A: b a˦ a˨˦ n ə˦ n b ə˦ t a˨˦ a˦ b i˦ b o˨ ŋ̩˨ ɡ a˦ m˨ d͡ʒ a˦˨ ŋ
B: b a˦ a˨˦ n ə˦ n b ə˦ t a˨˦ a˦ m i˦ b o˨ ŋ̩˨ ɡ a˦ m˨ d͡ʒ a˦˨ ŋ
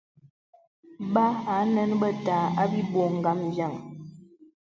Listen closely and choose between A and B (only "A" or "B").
A